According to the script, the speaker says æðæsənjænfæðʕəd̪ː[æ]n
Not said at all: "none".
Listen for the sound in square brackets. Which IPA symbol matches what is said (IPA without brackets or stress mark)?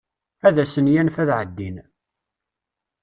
i